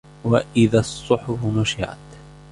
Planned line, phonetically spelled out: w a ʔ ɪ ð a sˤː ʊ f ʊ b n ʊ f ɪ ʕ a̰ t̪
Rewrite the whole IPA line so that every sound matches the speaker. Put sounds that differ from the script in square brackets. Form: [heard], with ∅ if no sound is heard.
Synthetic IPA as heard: w a ʔ ɪ ð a sˤː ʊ [ħ] ʊ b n ʊ [ʃ] ɪ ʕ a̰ t̪